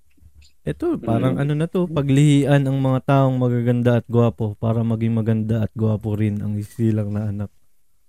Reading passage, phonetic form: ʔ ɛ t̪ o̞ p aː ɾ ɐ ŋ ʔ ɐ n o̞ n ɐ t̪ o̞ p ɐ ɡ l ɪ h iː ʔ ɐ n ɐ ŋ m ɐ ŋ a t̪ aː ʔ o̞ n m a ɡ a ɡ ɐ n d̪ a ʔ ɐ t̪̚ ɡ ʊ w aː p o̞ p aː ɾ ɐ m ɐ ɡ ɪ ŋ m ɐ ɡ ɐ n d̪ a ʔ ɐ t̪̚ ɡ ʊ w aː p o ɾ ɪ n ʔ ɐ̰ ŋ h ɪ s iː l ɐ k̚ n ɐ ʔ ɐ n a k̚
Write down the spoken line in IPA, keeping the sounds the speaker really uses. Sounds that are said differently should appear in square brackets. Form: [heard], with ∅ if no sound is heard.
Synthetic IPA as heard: ʔ ɛ t̪ o̞ p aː ɾ ɐ ŋ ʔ ɐ n o̞ n ɐ t̪ o̞ p ɐ ɡ l ɪ h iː ʔ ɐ n ɐ ŋ m ɐ ŋ a t̪ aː ʔ o̞ [ŋ] m [ɐ] ɡ a ɡ ɐ n d̪ a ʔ ɐ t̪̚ ɡ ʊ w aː p o̞ p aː ɾ ɐ m ɐ ɡ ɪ ŋ m ɐ ɡ ɐ n d̪ a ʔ ɐ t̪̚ ɡ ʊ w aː p o ɾ ɪ n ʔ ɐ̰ ŋ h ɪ s iː l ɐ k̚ n ɐ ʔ ɐ n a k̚